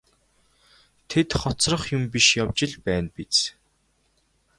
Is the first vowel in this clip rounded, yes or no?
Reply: no